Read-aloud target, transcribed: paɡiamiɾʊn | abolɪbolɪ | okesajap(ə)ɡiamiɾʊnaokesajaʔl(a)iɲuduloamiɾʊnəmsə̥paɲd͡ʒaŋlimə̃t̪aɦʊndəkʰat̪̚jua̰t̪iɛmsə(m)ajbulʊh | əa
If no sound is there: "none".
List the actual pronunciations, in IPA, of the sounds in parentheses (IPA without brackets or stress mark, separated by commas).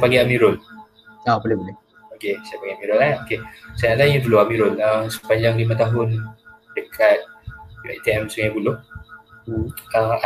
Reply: a, a, ŋ